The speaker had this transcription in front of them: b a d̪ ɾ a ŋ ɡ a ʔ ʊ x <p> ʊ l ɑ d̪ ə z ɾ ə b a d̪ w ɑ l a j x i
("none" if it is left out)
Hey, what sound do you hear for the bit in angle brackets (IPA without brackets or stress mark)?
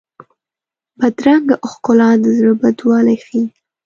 k